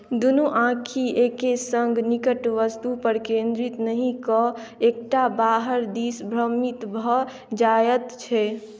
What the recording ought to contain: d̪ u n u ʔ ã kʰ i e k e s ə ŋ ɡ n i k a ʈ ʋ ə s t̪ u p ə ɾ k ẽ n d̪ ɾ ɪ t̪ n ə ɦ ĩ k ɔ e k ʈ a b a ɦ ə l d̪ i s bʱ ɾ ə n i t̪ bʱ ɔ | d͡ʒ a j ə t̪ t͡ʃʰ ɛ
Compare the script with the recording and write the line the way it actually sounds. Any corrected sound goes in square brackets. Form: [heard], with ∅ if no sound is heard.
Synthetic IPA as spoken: d̪ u n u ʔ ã kʰ i e k e s ə ŋ ɡ n i k [ə] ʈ ʋ ə s t̪ u p ə ɾ k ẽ n d̪ ɾ [i] t̪ n ə ɦ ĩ k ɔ e k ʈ a b a ɦ ə [ɾ] d̪ i s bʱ ɾ ə [m] i t̪ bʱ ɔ | d͡ʒ a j ə t̪ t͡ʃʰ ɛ